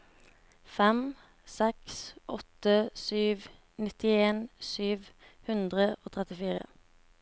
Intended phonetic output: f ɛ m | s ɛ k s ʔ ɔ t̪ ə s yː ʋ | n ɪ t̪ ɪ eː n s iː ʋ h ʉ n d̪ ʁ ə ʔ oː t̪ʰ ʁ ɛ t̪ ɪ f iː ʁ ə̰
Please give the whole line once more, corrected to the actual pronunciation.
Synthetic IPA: f ɛ m | s ɛ k s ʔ ɔ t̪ ə s yː ʋ | n ɪ t̪ ɪ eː n s yː ʋ h ʉ n d̪ ʁ ə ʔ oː t̪ʰ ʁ ɛ t̪ ɪ f iː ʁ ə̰